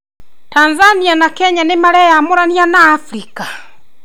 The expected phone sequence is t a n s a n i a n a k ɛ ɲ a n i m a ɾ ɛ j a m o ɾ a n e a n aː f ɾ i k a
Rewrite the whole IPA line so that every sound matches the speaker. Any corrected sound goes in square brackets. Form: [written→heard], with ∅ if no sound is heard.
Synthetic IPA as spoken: t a n [s→z] a n i a n a k ɛ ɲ a n [i→e] m a ɾ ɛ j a m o ɾ a n [e→i] a n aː f ɾ i k a

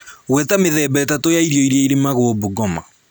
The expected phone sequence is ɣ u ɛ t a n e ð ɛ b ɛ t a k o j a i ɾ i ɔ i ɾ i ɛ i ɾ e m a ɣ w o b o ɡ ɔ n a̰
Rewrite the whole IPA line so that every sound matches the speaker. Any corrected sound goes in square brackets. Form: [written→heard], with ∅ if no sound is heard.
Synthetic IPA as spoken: ɣ [u→w] ɛ t a [n→m] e ð ɛ b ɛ t a [k→t] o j a i ɾ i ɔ i ɾ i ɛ i ɾ e m a ɣ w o b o ɡ ɔ [n→m] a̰

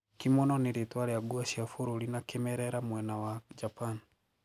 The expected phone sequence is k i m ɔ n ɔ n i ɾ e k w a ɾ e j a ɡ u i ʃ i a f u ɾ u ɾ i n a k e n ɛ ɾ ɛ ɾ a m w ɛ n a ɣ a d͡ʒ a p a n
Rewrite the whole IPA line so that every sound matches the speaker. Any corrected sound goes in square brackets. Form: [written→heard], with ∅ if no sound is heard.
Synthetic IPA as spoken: k i m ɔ n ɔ n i ɾ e [k→t] w a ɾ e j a ɡ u [i→a] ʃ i a f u ɾ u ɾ i n a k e [n→m] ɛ ɾ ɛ ɾ a m w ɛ n a [ɣ→w] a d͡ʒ a p a n

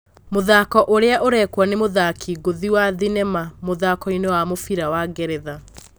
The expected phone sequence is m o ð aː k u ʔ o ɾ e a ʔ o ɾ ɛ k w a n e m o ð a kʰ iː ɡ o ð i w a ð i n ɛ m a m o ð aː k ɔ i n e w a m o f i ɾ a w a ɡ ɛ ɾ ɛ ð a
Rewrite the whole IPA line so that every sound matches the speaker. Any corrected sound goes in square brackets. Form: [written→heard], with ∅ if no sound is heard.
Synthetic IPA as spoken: m o ð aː k [u→ɔ] ʔ o ɾ e a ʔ o ɾ ɛ k w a n e m o ð a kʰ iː ɡ o ð i w a ð i n ɛ m a m o ð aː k ɔ i n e w a m o f i ɾ a w a ɡ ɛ ɾ ɛ ð a

